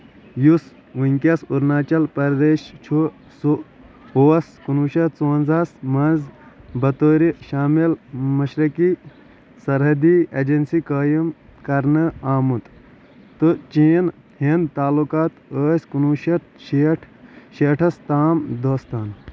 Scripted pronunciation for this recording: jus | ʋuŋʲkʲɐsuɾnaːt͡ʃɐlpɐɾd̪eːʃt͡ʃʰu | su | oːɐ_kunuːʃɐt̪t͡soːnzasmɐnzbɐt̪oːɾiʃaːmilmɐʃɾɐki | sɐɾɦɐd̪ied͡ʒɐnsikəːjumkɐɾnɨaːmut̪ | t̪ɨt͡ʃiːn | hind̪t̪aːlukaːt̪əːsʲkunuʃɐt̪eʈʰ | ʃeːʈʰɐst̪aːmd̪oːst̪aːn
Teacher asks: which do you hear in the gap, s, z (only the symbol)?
s